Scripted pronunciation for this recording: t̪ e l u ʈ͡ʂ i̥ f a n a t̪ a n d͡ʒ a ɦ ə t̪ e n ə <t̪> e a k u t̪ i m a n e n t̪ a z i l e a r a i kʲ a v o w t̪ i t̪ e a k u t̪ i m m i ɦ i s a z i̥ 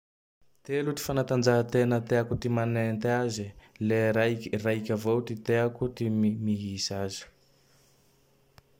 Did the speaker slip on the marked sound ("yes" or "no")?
no